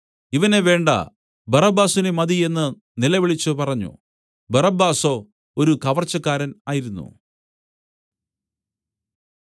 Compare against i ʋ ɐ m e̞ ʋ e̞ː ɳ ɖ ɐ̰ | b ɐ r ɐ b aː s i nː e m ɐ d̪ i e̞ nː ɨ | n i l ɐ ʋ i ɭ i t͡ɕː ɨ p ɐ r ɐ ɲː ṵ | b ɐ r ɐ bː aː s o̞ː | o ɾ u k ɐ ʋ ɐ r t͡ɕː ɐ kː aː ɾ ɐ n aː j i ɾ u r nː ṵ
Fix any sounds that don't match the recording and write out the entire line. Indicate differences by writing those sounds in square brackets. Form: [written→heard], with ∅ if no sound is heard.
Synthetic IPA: i ʋ ɐ [m→n] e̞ ʋ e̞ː ɳ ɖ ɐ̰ | b ɐ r ɐ b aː s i [nː→n] e m ɐ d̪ i e̞ nː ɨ | n i l ɐ ʋ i ɭ i t͡ɕː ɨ p ɐ r ɐ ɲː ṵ | b ɐ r ɐ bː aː s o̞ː | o ɾ u k ɐ ʋ ɐ r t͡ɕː ɐ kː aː ɾ ɐ n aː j i ɾ u [r→∅] nː ṵ